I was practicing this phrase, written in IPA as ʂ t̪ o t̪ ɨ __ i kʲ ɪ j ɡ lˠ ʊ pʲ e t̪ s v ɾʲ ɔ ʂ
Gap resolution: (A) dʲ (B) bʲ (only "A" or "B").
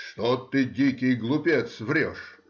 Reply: A